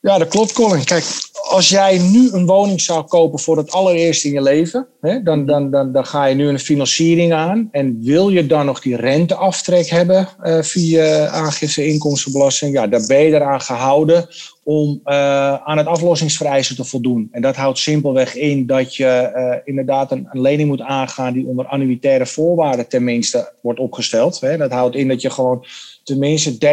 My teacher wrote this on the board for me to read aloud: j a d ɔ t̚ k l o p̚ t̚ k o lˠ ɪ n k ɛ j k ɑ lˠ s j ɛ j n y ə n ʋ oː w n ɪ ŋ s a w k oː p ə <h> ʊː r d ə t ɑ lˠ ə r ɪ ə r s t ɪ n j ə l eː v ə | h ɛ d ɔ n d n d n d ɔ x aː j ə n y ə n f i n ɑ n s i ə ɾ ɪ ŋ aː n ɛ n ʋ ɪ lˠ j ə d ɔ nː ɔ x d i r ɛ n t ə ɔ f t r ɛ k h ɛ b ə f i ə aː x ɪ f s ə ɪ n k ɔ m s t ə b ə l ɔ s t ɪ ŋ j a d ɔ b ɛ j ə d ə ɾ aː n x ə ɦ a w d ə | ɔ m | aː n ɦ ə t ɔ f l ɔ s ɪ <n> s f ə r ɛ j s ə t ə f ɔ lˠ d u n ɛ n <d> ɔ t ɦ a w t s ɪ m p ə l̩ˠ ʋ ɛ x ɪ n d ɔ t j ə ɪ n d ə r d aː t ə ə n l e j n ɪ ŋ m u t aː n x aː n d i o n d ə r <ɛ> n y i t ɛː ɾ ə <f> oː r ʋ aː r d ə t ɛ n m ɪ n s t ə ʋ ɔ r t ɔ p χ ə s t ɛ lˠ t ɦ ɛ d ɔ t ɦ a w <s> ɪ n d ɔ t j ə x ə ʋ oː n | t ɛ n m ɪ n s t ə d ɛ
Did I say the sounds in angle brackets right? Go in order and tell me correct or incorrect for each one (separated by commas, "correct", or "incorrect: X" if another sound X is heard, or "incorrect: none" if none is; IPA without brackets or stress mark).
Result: incorrect: f, incorrect: ŋ, correct, incorrect: a, correct, incorrect: t